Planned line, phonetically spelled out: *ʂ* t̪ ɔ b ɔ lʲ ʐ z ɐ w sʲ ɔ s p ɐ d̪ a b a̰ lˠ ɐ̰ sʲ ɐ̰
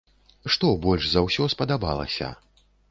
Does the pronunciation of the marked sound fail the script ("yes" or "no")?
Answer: no